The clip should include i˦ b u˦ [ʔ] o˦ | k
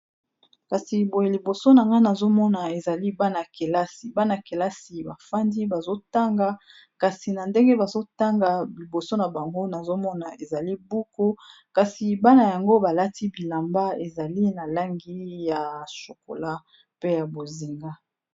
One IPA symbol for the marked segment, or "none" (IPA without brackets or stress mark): k